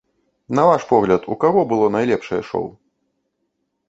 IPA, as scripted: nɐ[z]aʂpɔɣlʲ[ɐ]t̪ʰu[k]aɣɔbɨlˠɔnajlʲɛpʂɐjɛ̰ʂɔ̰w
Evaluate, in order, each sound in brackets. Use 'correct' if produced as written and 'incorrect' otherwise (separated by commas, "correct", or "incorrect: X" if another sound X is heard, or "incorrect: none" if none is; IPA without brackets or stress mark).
incorrect: v, correct, correct